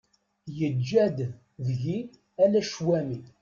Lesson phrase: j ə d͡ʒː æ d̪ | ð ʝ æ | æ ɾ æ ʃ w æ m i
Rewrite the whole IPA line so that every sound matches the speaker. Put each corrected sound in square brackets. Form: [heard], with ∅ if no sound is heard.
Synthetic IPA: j ə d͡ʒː æ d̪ | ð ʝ [i] | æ [l] æ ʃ w æ m i